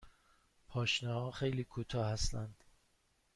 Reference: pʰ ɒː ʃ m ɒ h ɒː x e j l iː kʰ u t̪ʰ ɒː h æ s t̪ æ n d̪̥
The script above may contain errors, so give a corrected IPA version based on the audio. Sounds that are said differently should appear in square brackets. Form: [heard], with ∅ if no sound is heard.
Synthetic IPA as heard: pʰ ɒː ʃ [n] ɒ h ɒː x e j l iː kʰ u t̪ʰ ɒː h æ s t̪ æ n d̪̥